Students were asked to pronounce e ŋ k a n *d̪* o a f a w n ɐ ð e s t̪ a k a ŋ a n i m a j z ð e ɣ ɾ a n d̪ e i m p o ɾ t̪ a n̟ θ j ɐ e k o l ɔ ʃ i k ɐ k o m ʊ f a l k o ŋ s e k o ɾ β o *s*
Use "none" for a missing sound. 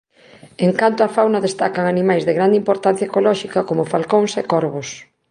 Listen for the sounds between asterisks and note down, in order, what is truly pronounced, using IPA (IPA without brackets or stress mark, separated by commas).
t̪, s